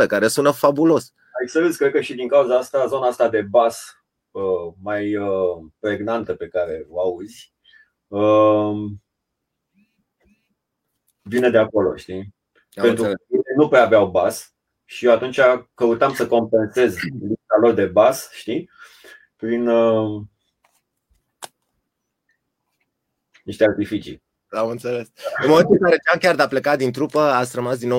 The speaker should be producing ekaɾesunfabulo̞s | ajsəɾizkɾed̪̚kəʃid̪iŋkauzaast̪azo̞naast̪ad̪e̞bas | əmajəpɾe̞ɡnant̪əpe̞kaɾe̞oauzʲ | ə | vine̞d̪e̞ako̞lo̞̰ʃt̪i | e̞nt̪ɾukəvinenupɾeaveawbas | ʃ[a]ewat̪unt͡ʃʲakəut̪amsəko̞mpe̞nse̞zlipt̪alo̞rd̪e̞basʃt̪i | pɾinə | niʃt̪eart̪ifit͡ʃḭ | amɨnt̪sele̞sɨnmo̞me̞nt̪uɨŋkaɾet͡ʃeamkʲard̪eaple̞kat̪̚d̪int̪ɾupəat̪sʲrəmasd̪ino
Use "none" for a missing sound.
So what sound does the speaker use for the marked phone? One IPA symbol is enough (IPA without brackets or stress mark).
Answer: i